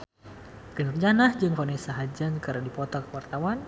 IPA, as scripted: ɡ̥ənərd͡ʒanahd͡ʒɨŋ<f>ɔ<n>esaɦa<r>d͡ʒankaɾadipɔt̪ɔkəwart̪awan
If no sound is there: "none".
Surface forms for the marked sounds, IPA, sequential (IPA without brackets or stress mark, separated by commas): f, n, none